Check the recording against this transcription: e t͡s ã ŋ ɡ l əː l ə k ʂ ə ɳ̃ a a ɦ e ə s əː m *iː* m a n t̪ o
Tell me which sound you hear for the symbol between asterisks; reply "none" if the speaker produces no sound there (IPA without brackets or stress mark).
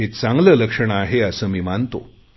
iː